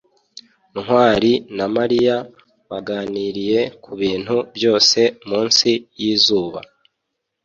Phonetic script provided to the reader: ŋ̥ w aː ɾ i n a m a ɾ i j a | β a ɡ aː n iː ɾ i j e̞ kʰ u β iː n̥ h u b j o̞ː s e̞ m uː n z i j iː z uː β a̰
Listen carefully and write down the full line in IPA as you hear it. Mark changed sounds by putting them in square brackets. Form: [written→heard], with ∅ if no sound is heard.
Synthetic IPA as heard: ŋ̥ w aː ɾ i n a m a ɾ i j a | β a ɡ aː n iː ɾ i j e̞ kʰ u β iː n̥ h u b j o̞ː s e̞ m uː n [z→s] i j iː z uː β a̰